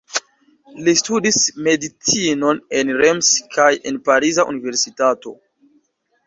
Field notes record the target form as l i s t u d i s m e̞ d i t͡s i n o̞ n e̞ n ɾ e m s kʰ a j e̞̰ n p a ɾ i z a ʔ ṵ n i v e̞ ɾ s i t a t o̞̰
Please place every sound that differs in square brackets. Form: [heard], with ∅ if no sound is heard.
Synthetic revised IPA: l i s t u d i s m e̞ d i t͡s i n o̞ n e̞ n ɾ e m s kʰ a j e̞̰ n p a ɾ i z a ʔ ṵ n i v e̞ ɾ s i t a t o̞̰